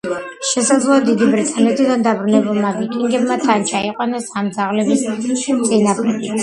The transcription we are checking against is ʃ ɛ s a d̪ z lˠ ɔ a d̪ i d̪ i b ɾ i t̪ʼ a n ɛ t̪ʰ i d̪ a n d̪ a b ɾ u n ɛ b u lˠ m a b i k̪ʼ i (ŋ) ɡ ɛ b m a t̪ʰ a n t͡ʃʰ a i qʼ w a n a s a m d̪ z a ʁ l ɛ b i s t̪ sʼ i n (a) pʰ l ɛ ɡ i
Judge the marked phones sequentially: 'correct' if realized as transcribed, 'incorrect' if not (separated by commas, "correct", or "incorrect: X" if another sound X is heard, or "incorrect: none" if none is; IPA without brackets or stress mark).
correct, correct